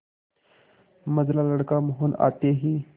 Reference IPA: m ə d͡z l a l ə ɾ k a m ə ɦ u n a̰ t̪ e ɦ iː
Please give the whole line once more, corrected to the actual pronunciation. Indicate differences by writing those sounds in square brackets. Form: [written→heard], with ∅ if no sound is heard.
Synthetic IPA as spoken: m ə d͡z l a l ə [ɾ→ɽ] k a m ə ɦ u n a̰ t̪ e ɦ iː